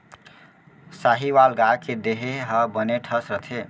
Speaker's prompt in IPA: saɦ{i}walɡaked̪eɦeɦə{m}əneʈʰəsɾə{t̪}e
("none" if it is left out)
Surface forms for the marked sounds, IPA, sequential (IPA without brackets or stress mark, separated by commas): i, b, t̪ʰ